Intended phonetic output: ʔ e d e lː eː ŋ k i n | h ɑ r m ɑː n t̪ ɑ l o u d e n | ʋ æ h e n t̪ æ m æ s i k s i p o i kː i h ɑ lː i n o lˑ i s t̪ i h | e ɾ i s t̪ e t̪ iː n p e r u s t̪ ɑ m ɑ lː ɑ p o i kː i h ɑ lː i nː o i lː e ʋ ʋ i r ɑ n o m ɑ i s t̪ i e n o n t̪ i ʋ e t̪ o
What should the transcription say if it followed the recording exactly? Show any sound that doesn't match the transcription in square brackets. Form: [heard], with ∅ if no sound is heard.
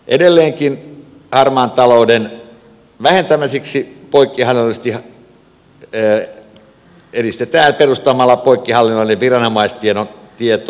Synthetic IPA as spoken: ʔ e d e lː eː ŋ k i n | h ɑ r m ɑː n t̪ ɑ l o u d e n | ʋ æ h e n t̪ æ m æ s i k s i p o i kː i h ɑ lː i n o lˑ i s t̪ i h | e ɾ i s t̪ e t̪ [æː] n p e r u s t̪ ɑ m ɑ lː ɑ p o i kː i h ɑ lː i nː o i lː e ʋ ʋ i r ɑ n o m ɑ i s t̪ i e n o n t̪ i [∅] e t̪ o